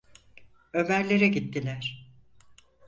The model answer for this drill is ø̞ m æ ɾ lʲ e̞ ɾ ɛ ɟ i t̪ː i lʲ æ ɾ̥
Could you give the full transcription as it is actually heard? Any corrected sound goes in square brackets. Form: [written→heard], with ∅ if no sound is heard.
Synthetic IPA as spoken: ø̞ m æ ɾ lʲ e̞ ɾ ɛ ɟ i t̪ː i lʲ æ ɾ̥